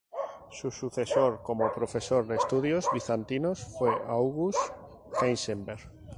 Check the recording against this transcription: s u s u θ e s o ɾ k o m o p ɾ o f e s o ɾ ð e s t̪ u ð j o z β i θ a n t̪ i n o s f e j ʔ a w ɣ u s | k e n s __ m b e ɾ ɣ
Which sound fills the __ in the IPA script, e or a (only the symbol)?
e